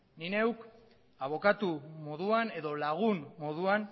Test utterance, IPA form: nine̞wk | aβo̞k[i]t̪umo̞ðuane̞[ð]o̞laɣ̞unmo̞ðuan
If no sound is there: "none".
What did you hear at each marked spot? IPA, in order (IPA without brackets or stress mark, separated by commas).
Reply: a, ð